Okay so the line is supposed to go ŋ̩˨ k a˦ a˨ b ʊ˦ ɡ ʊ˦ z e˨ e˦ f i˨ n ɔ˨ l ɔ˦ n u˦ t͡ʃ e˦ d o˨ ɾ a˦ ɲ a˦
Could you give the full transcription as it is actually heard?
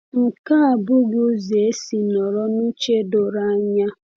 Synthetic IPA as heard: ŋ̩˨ k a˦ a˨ b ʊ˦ ɡ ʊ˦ z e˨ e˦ s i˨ n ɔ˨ ɾ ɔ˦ n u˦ t͡ʃ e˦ d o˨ ɾ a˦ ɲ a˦